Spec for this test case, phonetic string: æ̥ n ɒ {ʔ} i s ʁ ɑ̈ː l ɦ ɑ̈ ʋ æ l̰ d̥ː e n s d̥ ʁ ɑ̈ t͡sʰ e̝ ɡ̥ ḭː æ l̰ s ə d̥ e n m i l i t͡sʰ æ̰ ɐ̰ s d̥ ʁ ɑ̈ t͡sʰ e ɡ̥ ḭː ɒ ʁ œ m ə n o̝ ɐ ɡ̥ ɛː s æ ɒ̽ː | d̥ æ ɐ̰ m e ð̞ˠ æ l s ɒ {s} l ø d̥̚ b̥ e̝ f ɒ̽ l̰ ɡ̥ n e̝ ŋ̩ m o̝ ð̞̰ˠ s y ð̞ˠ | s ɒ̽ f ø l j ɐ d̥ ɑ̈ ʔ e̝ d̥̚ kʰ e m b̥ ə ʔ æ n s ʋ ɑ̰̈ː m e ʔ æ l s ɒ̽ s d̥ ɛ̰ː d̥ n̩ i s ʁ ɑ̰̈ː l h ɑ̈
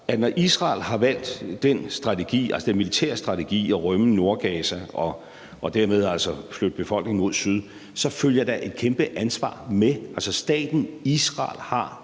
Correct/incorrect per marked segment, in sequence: correct, incorrect

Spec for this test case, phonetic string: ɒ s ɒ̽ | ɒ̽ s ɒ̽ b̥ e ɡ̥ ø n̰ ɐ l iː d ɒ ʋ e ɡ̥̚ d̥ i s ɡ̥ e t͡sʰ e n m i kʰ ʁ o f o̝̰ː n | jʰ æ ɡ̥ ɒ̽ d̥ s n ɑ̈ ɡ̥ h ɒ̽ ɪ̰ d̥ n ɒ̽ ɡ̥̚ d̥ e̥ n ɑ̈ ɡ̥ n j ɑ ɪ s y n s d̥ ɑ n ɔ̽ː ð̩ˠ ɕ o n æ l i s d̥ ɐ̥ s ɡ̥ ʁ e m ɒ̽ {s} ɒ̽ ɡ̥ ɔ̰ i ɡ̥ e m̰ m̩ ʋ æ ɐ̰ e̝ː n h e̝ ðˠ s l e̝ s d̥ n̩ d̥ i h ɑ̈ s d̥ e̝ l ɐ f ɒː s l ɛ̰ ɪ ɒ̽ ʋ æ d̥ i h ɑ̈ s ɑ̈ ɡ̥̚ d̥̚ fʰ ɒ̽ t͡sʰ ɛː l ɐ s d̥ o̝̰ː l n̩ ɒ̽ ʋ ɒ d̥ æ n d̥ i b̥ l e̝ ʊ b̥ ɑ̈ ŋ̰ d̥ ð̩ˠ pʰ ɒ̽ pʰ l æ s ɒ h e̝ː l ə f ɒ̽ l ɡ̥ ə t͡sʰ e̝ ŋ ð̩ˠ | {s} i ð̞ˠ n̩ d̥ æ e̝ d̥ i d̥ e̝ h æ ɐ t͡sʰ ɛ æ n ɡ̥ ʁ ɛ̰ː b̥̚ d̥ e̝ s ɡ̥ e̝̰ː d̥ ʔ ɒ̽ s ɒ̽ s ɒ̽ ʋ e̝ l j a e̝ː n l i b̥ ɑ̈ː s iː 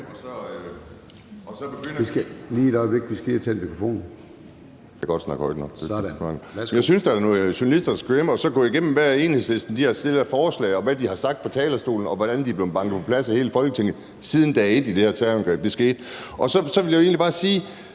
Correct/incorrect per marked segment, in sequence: correct, correct

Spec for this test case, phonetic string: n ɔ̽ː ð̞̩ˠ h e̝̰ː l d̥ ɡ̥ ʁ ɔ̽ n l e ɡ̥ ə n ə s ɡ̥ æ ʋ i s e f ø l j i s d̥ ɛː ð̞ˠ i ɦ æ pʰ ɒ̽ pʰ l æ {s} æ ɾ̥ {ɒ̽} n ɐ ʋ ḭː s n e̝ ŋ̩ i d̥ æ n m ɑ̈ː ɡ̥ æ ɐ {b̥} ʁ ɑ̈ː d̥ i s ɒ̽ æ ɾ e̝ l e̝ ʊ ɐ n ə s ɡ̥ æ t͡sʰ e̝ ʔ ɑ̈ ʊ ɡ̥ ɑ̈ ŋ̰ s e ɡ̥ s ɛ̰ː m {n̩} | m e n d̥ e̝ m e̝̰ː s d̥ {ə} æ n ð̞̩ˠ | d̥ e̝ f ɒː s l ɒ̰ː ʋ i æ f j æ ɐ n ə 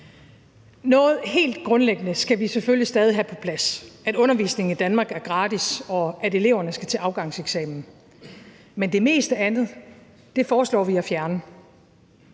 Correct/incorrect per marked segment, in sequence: correct, incorrect, incorrect, correct, correct

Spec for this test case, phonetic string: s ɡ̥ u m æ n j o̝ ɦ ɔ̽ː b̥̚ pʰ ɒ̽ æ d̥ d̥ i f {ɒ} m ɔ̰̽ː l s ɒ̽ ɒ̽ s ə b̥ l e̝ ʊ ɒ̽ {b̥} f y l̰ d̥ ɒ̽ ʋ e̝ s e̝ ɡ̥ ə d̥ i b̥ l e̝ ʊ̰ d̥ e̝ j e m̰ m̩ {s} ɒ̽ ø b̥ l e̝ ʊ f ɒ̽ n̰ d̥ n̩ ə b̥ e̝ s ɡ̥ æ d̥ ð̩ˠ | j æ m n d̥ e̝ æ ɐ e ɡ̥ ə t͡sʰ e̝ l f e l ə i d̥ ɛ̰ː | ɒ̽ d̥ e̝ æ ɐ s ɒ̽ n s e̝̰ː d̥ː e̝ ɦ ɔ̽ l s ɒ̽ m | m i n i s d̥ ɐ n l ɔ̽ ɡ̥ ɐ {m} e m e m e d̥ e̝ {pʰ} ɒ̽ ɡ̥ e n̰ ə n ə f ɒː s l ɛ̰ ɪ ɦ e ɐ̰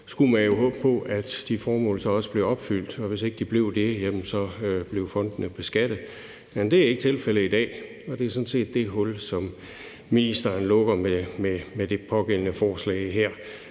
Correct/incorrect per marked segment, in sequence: incorrect, correct, correct, correct, correct

